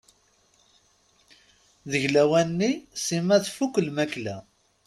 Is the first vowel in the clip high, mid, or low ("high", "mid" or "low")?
mid